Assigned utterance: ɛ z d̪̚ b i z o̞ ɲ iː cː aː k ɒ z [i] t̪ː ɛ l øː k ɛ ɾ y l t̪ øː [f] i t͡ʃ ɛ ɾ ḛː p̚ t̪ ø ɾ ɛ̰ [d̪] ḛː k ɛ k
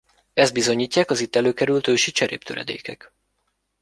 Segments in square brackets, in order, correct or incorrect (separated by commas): correct, incorrect, correct